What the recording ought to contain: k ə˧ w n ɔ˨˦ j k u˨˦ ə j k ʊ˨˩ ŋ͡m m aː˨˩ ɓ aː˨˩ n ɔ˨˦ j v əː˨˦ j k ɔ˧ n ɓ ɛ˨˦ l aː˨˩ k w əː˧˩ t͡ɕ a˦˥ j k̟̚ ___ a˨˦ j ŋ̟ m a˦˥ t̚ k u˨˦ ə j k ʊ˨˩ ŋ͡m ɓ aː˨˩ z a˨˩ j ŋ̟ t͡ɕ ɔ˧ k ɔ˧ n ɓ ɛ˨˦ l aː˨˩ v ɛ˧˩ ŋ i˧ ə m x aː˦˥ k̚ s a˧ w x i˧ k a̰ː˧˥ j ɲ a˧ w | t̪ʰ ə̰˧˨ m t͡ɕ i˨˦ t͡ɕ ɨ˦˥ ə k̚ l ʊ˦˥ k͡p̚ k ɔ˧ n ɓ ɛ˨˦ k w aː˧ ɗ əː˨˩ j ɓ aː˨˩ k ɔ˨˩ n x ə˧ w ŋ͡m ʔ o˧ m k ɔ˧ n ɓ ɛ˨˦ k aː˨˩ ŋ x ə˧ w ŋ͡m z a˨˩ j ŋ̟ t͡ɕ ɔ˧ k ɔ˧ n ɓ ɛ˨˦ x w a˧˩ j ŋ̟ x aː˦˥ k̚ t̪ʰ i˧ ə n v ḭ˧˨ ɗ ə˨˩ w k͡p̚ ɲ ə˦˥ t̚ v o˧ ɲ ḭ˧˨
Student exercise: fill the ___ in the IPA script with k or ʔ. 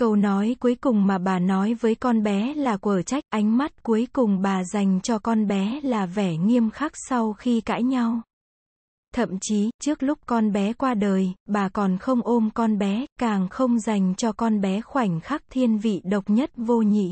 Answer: ʔ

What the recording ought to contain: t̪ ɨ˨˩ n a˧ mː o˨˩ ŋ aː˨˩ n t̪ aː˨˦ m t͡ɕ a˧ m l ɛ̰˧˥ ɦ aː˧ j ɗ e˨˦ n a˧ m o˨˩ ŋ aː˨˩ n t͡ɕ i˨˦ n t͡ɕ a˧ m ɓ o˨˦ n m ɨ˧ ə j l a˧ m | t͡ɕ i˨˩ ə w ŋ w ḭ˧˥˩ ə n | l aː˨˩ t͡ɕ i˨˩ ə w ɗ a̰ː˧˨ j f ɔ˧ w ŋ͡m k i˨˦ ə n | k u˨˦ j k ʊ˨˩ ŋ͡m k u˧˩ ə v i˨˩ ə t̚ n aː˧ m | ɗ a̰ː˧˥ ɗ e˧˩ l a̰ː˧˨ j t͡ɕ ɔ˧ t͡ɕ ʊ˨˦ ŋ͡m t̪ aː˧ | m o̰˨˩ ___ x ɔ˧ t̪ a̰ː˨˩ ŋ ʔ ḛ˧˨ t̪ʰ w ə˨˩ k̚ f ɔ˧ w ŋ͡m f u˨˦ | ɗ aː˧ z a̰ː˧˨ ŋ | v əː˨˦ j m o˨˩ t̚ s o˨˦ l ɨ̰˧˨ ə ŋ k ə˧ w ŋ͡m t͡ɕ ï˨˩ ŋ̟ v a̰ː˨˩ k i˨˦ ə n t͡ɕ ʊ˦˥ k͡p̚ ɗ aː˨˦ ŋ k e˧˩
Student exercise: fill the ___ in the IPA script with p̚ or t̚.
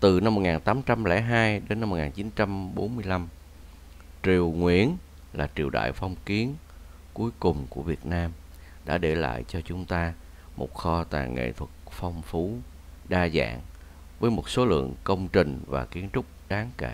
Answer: t̚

